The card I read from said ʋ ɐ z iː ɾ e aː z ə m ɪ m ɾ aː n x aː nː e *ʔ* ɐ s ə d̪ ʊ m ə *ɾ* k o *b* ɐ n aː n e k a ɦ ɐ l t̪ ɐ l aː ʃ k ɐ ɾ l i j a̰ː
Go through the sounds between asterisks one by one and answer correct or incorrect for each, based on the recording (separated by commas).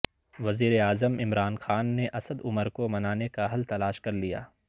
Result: correct, correct, incorrect